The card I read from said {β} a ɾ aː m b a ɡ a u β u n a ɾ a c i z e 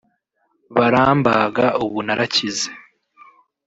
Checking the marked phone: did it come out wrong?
no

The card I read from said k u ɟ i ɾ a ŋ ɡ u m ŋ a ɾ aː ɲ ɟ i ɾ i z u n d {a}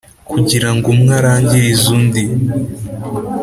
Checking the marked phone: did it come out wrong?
yes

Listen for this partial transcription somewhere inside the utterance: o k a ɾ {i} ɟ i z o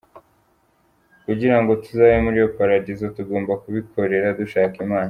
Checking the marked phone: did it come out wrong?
yes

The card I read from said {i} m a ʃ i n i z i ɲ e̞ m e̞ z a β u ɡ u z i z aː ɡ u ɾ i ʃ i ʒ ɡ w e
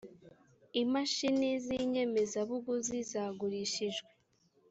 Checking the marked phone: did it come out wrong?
no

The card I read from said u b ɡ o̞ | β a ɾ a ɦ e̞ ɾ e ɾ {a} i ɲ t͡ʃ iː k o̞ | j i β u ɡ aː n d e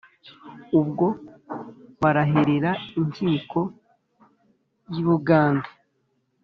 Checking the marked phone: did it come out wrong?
no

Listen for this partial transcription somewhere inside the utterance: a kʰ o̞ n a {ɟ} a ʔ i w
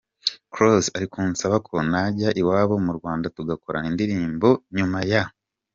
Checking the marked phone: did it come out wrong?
no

